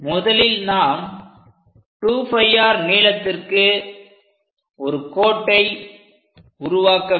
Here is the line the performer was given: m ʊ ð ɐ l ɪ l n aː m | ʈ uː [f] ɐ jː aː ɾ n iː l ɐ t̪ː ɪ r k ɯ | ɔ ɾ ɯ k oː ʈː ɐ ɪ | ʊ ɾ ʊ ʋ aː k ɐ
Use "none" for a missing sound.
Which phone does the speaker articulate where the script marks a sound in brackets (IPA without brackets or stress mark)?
f